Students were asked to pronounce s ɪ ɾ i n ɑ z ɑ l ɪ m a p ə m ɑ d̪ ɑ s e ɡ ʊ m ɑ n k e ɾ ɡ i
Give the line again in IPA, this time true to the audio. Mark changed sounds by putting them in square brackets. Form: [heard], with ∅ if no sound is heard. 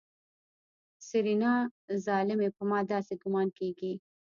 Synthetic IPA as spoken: s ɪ ɾ i n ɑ z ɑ l ɪ m [e] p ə m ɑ d̪ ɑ s e ɡ ʊ m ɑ n k e [∅] ɡ i